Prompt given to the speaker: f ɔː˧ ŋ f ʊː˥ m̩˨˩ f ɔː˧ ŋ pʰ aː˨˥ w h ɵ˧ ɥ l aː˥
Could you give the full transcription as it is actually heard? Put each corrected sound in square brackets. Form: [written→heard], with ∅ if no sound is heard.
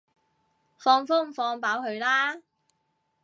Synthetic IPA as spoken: f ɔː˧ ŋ f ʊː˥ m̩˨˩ f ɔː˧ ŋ [pʰ→p] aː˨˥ w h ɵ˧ ɥ l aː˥